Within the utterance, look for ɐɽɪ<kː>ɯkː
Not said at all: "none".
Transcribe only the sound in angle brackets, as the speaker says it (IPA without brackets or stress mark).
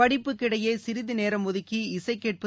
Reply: pː